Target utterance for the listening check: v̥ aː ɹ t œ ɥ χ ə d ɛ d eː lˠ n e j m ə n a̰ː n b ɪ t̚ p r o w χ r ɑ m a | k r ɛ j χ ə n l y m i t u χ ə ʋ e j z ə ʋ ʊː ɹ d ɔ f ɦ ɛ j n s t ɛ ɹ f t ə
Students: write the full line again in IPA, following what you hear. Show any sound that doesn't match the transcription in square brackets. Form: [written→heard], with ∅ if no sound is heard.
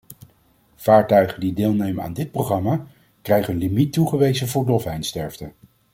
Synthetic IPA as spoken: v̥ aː ɹ t œ ɥ χ ə d [ɛ→i] d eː lˠ n e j m ə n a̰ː n [b→d] ɪ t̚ p r o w χ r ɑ m a | k r ɛ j χ ə n l [y→i] m i t u χ ə ʋ e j z ə [ʋ→v] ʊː ɹ d ɔ f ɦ ɛ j n s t ɛ ɹ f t ə